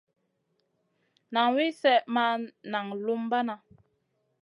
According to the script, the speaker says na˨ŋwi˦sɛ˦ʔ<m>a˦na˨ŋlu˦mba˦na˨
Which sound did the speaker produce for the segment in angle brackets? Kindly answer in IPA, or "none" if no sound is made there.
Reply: m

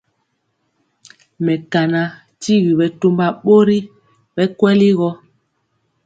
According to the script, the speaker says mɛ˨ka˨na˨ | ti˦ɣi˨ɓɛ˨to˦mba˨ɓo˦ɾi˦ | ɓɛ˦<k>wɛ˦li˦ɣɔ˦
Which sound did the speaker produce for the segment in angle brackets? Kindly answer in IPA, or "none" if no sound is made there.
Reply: k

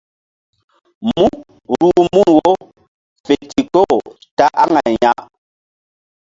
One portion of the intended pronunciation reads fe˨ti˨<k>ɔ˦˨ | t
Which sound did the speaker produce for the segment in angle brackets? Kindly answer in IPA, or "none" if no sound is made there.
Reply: k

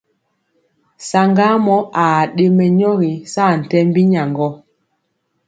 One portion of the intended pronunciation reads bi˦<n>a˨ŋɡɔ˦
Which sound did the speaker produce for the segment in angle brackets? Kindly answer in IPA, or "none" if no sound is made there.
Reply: ɲ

